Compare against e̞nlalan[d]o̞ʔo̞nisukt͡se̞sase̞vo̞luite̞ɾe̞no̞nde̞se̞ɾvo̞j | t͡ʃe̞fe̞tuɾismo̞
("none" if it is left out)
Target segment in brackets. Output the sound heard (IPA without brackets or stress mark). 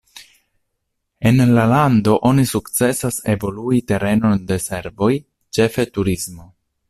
d